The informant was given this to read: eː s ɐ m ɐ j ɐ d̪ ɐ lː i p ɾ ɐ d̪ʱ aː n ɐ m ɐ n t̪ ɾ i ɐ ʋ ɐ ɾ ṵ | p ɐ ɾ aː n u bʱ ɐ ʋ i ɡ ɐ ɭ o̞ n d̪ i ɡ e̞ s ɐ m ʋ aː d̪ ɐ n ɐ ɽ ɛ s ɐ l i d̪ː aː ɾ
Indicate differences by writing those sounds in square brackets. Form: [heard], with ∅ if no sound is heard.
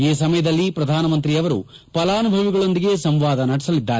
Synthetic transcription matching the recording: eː s ɐ m ɐ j ɐ d̪ ɐ lː i p ɾ ɐ d̪ʱ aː n ɐ m ɐ n t̪ ɾ i ɐ ʋ ɐ ɾ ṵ | p ɐ [l] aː n u bʱ ɐ ʋ i ɡ ɐ ɭ o̞ n d̪ i ɡ e̞ s ɐ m ʋ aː d̪ ɐ n ɐ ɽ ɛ s ɐ l i d̪ː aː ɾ